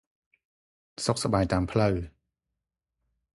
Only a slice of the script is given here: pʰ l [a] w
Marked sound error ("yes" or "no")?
yes